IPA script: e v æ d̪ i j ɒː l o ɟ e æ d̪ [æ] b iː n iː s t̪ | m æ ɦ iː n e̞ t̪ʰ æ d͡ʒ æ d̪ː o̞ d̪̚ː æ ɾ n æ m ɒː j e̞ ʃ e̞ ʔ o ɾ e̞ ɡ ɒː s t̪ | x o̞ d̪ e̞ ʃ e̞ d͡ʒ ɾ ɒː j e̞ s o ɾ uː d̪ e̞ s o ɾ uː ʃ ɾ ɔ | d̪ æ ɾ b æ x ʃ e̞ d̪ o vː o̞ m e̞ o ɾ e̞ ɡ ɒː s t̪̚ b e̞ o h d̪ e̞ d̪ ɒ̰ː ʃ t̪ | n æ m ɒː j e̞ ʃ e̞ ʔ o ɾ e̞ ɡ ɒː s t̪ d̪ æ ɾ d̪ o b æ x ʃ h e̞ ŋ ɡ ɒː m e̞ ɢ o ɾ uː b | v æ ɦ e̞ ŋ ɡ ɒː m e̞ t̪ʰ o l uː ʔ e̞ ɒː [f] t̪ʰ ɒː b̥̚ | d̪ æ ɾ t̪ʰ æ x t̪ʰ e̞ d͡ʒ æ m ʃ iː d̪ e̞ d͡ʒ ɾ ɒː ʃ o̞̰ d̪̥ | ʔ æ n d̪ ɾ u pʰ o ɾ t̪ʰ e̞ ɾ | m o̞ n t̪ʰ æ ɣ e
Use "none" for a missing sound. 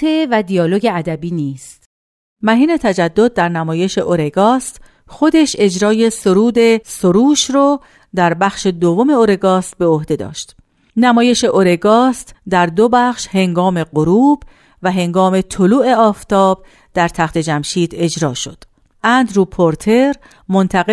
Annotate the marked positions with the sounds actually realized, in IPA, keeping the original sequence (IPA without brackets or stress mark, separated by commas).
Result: æ, f